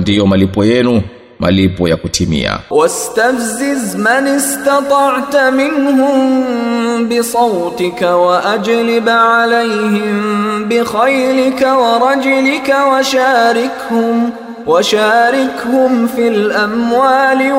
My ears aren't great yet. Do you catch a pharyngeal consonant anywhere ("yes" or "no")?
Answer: yes